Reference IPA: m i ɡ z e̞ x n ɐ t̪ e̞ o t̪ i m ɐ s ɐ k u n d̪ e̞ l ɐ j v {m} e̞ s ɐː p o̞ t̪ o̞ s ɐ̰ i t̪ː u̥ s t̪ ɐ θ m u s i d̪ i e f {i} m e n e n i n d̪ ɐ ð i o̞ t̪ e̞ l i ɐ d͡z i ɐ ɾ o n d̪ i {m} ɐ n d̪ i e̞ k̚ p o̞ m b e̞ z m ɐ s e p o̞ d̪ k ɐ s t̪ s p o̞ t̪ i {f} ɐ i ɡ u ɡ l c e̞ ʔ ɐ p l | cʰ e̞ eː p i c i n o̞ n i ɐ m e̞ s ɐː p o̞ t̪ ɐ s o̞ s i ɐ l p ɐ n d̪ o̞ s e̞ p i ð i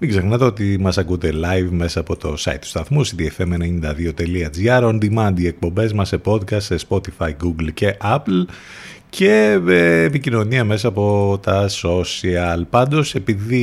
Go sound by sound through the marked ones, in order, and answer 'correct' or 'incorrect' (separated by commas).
correct, incorrect, correct, correct